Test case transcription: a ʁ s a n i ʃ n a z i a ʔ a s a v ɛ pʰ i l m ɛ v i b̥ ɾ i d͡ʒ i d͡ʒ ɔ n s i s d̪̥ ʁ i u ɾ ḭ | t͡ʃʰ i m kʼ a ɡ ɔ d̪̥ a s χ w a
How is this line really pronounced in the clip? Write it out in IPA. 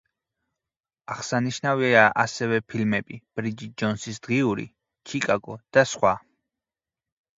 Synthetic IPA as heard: a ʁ s a n i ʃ n a v i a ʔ a s ɛ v ɛ pʰ i l m ɛ b i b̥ ɾ i d͡ʒ i d͡ʒ ɔ n s i s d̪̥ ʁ i u ɾ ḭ | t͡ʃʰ i kʼ a ɡ ɔ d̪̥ a s χ w a